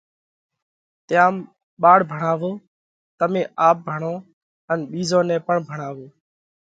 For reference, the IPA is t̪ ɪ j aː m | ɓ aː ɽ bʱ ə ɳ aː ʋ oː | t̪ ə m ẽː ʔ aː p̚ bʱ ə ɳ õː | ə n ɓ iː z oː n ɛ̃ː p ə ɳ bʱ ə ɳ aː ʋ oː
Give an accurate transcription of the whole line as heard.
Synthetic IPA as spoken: t̪ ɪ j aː m | ɓ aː ɽ bʱ ə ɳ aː ʋ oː | t̪ ə m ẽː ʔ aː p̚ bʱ ə ɳ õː | ə n ɓ iː z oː n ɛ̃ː p ə ɳ bʱ ə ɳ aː ʋ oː